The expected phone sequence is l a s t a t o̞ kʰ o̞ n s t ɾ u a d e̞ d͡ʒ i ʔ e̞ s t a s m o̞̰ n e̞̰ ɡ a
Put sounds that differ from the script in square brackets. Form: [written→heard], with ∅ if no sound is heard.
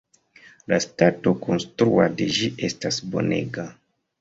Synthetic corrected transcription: l a s t a t o̞ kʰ o̞ n s t ɾ u a d e̞ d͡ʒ i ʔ e̞ s t a s [m→b] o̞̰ n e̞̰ ɡ a